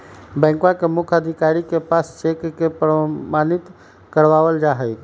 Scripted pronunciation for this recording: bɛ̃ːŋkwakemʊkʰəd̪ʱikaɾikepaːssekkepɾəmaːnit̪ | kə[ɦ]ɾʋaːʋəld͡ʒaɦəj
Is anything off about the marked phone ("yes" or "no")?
yes